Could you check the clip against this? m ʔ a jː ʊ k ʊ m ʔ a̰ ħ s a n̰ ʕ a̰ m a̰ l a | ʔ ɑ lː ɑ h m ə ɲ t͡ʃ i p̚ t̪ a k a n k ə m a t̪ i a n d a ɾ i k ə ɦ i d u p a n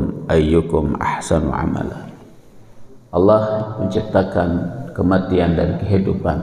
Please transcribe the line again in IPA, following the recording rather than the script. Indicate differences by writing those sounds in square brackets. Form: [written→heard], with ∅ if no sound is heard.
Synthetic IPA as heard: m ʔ a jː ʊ k ʊ m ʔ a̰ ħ s a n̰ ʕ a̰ m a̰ l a | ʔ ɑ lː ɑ h m ə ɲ t͡ʃ i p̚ t̪ a k a n k ə m a t̪ i a n d a ɾ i k ə ɦ i d u p a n